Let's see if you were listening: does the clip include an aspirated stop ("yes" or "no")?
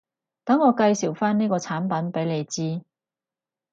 yes